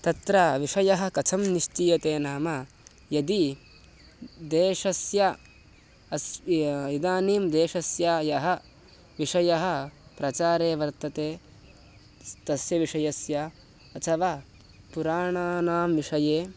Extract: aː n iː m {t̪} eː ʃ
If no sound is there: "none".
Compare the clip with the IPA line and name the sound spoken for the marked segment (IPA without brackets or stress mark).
d̪